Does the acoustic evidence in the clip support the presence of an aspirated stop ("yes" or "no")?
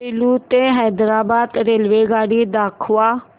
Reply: yes